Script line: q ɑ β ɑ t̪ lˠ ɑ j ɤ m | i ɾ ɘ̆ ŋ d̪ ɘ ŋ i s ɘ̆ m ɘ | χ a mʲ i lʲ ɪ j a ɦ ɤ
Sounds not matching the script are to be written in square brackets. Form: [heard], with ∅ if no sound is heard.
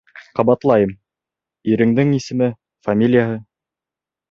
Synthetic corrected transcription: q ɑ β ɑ t̪ lˠ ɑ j ɤ m | i ɾ ɘ̆ ŋ d̪ ɘ ŋ i s ɘ̆ m ɘ | [f] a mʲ i lʲ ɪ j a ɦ ɤ